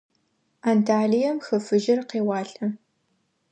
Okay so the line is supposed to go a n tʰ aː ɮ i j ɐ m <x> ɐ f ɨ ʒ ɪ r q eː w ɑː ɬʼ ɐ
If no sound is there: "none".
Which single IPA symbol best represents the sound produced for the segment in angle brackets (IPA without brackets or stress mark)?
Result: x